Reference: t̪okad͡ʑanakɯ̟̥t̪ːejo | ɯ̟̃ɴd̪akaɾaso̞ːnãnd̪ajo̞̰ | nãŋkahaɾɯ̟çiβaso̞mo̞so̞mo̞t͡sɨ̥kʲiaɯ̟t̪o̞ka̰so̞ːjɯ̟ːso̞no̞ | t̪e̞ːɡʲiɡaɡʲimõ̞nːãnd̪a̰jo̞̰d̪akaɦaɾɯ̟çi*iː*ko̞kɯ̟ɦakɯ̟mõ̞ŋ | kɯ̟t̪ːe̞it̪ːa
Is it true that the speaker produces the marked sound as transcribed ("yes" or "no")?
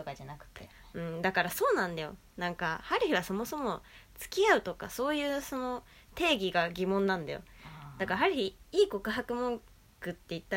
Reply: yes